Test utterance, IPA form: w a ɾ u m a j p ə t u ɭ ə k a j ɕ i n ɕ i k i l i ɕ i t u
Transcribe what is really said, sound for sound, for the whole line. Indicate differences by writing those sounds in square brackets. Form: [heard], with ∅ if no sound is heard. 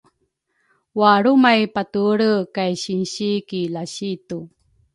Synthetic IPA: w a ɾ u m a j p [a] t u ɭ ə k a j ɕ i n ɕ i k i l [a] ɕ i t u